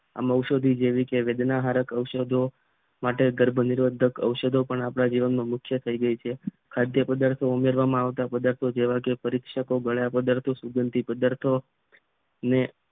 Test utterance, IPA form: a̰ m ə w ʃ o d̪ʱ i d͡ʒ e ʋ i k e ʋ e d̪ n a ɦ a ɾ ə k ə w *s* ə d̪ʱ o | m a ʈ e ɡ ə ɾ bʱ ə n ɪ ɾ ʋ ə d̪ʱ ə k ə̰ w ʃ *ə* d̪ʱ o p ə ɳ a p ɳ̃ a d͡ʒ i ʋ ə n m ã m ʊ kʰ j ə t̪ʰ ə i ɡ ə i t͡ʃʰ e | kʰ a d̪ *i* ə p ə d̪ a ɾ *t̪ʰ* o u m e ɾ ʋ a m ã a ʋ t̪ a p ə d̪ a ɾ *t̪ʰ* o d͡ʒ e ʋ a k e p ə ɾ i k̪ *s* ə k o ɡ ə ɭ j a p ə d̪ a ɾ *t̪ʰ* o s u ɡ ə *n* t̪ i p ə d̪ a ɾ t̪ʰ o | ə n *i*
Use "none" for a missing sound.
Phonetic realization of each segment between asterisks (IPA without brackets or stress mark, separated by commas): ʃ, ə, j, t̪ʰ, t̪ʰ, ʃ, t̪ʰ, n, e